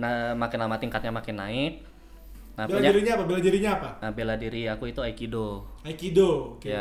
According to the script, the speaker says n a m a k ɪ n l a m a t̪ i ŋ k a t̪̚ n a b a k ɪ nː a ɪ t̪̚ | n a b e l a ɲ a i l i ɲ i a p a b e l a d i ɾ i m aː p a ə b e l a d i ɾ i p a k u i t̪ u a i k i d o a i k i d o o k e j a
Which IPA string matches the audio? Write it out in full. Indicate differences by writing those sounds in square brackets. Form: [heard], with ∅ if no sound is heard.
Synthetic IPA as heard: n a m a k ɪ n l a m a t̪ i ŋ k a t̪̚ [ɲ] a [m] a k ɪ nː a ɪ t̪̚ | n a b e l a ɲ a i [ɾ] i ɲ [a] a p a b e l a d i ɾ i [ɲ] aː p a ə b e l a d i ɾ i [∅] a k u i t̪ u a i k i d o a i k i d o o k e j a